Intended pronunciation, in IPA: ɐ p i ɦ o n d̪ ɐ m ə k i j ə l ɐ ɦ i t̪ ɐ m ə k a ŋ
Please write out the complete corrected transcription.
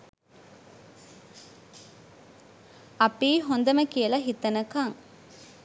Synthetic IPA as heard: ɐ p iː ɦ o n d̪ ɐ m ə k i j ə l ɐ ɦ i t̪ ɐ n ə k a ŋ